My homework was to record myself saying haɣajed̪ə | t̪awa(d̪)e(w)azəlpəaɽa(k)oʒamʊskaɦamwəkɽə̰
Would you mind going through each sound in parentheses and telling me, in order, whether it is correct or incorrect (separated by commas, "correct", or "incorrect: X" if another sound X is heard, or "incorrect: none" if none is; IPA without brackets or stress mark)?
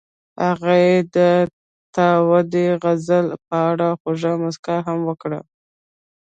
correct, incorrect: ɣ, incorrect: x